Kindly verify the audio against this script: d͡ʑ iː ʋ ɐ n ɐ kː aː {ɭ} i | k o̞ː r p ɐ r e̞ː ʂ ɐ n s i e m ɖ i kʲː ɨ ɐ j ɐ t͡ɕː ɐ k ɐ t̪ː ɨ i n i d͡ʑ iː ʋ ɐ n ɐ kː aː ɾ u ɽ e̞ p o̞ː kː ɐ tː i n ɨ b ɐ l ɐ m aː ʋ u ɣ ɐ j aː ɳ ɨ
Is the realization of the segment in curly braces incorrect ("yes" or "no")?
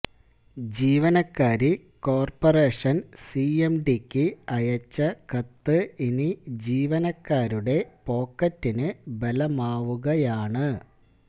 yes